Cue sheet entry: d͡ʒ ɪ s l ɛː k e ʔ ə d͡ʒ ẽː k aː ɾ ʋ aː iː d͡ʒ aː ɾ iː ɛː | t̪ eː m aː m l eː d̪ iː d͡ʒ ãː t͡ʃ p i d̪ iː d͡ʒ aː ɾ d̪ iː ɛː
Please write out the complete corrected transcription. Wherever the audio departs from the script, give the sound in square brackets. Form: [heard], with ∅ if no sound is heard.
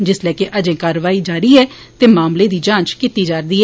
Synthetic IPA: d͡ʒ ɪ s l ɛː k e ʔ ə d͡ʒ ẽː k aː ɾ ʋ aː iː d͡ʒ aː ɾ iː ɛː | t̪ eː m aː m l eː d̪ iː d͡ʒ ãː t͡ʃ [k] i [t̪] iː d͡ʒ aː ɾ d̪ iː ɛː